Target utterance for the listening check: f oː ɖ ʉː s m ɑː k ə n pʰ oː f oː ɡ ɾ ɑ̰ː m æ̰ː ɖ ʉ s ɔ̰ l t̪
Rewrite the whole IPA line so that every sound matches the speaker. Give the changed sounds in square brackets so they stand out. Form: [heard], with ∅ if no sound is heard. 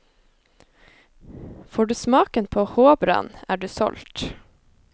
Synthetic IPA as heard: f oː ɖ ʉː s m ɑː k ə n pʰ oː [h] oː [b] ɾ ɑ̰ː [n] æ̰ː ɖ [ʉː] s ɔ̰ l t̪